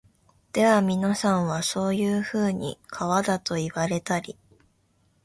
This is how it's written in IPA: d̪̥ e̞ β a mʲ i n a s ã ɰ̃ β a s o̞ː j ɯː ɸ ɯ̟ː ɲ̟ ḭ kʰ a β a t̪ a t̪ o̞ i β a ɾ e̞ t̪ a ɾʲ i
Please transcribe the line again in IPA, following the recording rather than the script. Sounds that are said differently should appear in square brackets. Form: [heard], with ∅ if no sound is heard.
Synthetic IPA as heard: d̪̥ e̞ β a mʲ i n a s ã ɰ̃ β a s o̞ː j ɯː ɸ ɯ̟ː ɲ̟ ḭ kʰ a β a [d̪] a t̪ o̞ i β a ɾ e̞ t̪ a ɾʲ i